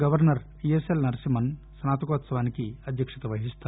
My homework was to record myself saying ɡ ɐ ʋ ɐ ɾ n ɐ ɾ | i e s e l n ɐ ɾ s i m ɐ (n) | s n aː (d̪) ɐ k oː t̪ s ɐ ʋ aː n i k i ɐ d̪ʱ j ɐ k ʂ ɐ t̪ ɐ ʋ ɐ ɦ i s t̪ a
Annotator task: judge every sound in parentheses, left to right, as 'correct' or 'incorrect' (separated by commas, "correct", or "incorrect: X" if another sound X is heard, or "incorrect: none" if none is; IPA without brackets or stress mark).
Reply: correct, incorrect: t̪